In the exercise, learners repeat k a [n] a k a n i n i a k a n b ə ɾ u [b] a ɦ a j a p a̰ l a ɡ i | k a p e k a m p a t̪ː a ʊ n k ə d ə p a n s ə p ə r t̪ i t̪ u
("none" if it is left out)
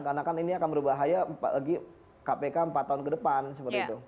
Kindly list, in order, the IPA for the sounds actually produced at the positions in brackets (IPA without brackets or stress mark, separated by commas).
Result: n, b